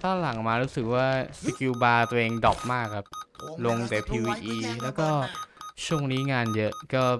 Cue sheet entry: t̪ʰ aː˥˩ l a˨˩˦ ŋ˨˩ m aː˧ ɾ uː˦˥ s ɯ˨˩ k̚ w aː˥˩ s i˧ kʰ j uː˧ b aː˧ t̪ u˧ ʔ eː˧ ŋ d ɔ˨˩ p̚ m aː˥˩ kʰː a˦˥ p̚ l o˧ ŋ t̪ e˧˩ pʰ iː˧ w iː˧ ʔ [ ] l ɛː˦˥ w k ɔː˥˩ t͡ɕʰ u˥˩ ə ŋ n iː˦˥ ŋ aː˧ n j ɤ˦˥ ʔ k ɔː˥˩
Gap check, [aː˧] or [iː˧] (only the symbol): iː˧